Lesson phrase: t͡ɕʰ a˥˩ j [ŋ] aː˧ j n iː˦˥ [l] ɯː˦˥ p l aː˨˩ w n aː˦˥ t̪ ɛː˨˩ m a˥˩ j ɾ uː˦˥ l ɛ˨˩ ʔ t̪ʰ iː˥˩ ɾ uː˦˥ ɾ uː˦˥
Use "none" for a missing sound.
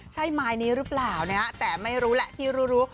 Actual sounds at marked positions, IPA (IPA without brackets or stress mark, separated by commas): m, ɾ